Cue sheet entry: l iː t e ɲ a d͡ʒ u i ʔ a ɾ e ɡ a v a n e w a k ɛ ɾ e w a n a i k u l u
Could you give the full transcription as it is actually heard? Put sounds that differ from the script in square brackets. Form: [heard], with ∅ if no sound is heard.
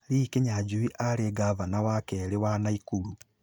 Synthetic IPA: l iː [k] e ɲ a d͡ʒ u i ʔ a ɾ e ɡ a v a n [a] w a k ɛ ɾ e w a n a i k u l u